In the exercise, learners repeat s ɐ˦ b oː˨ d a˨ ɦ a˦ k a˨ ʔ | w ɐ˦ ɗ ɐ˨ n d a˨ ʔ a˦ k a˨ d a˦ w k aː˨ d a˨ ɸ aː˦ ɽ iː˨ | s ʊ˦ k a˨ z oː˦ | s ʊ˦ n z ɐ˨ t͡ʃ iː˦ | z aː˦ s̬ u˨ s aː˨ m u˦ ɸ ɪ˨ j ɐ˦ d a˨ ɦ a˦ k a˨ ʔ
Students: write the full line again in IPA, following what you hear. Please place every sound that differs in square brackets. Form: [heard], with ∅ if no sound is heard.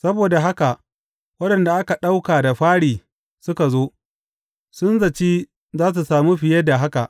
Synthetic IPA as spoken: s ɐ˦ b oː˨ d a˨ ɦ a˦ k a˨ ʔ | w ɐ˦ ɗ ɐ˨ n d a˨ ʔ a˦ k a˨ [ɗ] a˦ w k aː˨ d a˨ ɸ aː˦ ɽ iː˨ | s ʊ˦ k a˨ z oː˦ | s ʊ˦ n z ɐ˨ t͡ʃ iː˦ | z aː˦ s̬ u˨ s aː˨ m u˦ ɸ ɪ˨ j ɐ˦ d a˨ ɦ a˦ k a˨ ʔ